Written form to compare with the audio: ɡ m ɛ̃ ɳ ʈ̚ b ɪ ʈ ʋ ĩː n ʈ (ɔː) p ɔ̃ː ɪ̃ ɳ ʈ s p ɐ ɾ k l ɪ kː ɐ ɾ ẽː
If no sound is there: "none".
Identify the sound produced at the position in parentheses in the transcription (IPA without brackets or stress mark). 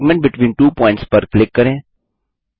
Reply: uː